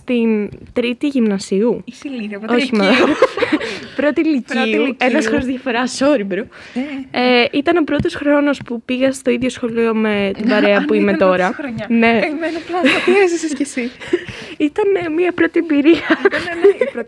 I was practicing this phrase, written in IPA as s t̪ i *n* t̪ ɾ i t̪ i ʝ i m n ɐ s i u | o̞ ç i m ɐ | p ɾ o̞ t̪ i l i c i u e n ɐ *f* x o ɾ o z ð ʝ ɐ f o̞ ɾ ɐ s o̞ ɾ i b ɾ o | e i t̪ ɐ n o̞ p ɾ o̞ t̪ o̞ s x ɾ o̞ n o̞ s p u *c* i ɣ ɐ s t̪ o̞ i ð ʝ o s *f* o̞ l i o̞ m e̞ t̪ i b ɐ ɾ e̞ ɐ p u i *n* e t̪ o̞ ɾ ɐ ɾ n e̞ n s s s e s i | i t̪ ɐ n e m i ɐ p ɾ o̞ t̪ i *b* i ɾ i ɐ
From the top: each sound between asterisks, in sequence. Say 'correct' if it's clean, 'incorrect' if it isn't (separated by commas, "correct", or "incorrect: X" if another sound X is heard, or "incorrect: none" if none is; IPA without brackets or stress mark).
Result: correct, incorrect: s, incorrect: p, incorrect: x, incorrect: m, correct